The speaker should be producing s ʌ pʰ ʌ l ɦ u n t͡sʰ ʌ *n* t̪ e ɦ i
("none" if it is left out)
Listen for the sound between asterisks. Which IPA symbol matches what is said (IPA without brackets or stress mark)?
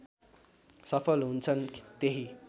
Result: n